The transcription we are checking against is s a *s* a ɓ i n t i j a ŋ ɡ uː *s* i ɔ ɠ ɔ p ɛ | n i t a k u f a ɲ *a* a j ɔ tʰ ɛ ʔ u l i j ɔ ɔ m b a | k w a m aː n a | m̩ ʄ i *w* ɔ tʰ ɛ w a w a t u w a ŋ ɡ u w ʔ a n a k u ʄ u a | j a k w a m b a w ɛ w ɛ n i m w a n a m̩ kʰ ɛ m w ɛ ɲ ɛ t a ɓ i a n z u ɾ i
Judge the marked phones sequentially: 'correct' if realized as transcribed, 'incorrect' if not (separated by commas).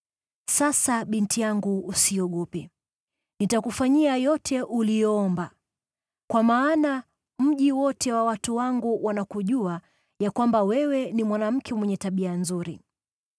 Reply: correct, correct, incorrect, correct